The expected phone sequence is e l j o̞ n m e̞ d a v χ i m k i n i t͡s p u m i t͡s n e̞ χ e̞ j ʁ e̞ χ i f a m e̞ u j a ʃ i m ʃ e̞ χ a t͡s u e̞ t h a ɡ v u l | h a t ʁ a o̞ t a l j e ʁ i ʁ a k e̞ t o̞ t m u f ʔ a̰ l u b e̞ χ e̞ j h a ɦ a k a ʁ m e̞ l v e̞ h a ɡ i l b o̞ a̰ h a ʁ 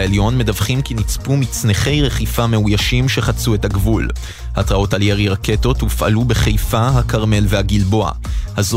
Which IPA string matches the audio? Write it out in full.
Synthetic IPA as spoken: e l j o̞ n m e̞ d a v χ i m k i n i t͡s p u m i t͡s n e̞ χ e̞ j ʁ e̞ χ i f a m e̞ u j a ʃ i m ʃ e̞ χ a t͡s u e̞ t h a ɡ v u l | h a t ʁ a o̞ t a l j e ʁ i ʁ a k e̞ t o̞ t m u f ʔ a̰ l u b e̞ χ e̞ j f a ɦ a k a ʁ m e̞ l v e̞ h a ɡ i l b o̞ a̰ h a z